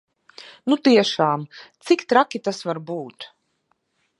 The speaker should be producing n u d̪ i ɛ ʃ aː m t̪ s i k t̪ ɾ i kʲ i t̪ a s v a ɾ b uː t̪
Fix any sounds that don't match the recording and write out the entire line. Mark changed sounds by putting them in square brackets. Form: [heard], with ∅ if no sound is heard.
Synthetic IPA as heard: n u [t̪] i ɛ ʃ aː m t̪ s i k t̪ ɾ [a] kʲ i t̪ a s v a ɾ b uː t̪